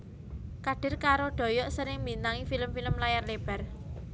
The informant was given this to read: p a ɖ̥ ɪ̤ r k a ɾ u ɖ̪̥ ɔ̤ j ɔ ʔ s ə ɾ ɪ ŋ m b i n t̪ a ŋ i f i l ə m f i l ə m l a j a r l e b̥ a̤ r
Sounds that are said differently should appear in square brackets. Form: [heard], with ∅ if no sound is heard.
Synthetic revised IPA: [k] a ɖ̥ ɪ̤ r k a ɾ [o] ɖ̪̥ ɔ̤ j ɔ ʔ s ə ɾ ɪ ŋ m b i n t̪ a ŋ i f i l ə m f i l ə m l a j a r l e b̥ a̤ r